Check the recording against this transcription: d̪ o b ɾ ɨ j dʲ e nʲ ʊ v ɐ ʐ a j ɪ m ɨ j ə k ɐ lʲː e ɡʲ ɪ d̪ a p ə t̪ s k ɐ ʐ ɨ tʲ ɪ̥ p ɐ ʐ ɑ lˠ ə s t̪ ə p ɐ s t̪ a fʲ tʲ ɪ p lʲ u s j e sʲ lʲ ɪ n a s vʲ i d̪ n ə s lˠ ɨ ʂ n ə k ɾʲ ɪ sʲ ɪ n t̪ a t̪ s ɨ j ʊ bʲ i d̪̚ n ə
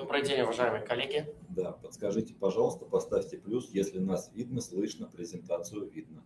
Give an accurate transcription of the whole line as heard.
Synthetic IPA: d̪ o b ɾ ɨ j dʲ e nʲ ʊ v ɐ ʐ a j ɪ m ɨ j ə k ɐ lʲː e ɡʲ ɪ d̪ a p ə t̪ s k ɐ ʐ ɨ tʲ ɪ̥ p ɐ ʐ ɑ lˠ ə s t̪ ə p ɐ s t̪ a fʲ tʲ ɪ p lʲ u s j e sʲ lʲ ɪ n a s vʲ i d̪ n ə s lˠ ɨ ʂ n ə p ɾʲ ɪ zʲ ɪ n t̪ a t̪ s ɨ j ʊ vʲ i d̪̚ n ə